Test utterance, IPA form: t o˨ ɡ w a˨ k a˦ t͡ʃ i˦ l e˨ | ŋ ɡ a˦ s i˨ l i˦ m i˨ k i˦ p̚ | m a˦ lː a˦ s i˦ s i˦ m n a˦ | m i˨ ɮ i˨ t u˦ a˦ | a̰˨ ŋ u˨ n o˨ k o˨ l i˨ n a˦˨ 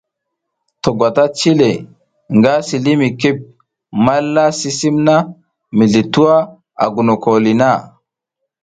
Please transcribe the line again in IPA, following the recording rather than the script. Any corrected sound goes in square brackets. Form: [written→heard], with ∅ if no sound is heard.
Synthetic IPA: t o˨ ɡ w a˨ [k→t] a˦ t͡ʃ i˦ l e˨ | ŋ ɡ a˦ s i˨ l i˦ m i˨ k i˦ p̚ | m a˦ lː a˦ s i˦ s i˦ m n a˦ | m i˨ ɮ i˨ t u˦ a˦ | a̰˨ [ŋ→ɡ] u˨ n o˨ k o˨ l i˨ n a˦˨